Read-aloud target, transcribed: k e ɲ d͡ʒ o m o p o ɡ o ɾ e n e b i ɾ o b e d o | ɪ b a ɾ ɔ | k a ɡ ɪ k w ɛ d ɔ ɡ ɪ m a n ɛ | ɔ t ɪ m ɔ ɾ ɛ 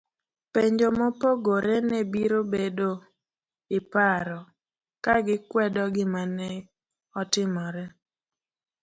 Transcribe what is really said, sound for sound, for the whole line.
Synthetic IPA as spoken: p e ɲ d͡ʒ o m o p o ɡ o ɾ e n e b i ɾ o b e d o | ɪ p a ɾ ɔ | k a ɡ ɪ k w ɛ d ɔ ɡ ɪ m a n ɛ | ɔ t ɪ m ɔ ɾ ɛ